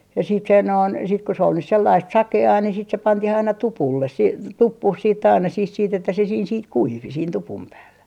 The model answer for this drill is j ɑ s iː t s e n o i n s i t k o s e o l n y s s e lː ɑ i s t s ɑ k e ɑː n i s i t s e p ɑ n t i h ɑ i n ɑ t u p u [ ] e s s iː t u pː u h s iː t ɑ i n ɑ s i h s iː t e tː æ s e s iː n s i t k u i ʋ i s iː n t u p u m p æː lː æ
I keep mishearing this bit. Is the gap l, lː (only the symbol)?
lː